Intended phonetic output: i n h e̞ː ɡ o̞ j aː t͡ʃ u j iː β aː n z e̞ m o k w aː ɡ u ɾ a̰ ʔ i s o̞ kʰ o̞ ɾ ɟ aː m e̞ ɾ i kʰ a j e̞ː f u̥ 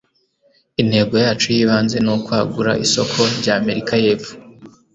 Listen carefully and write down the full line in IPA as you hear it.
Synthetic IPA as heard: i n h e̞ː ɡ o̞ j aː t͡ʃ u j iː β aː n z e̞ n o k w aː ɡ u ɾ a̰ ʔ i s o̞ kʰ o̞ ɾ ɟ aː m e̞ ɾ i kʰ a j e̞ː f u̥